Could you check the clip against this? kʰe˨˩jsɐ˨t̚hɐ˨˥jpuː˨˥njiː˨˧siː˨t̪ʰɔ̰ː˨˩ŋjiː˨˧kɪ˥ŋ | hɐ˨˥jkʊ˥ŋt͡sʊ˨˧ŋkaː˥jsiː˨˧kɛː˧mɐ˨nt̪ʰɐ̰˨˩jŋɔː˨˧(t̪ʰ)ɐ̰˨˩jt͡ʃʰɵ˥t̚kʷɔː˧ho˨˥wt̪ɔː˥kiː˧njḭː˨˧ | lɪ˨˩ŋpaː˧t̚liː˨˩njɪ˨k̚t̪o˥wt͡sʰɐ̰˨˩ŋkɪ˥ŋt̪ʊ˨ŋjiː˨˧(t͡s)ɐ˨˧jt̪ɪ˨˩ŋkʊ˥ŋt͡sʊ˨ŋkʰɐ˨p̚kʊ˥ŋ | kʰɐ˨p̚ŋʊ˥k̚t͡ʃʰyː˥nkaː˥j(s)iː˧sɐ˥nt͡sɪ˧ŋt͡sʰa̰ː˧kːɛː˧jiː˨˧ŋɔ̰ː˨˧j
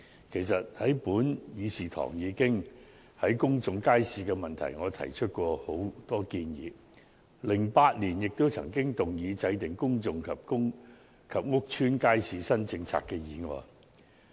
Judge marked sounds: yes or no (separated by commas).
yes, yes, yes